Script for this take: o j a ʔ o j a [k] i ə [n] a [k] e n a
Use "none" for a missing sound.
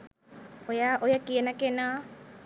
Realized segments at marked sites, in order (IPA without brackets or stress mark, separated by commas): k, n, k